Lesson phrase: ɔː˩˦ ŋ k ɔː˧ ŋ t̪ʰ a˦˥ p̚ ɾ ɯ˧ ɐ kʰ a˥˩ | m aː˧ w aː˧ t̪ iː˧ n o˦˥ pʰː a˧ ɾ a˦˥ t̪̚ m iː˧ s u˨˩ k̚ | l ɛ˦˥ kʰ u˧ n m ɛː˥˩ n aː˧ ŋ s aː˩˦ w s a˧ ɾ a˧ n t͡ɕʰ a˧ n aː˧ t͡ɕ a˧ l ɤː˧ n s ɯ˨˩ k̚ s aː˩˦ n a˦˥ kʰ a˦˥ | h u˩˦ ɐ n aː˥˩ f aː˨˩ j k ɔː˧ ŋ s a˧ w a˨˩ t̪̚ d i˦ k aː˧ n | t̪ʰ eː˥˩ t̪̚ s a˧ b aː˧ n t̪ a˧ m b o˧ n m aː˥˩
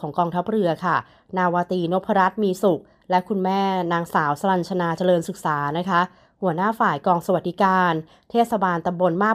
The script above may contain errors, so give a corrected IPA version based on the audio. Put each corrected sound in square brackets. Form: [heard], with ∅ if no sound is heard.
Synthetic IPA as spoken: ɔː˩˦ ŋ k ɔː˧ ŋ t̪ʰ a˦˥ p̚ ɾ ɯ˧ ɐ kʰ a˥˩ | [n] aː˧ w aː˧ t̪ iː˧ n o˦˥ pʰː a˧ ɾ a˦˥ t̪̚ m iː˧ s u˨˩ k̚ | l ɛ˦˥ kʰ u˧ n m ɛː˥˩ n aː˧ ŋ s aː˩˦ w s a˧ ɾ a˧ n t͡ɕʰ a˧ n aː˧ t͡ɕ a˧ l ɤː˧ n s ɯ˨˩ k̚ s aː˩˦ n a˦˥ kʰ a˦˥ | h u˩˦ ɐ n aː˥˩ f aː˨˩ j k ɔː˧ ŋ s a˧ w a˨˩ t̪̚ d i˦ k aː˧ n | t̪ʰ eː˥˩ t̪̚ s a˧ b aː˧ n t̪ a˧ m b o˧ n m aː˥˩